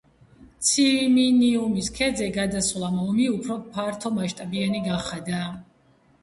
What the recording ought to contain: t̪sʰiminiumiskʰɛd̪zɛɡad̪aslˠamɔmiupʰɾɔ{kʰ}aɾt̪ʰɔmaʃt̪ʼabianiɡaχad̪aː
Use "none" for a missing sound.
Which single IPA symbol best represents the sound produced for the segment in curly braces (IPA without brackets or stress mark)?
pʰ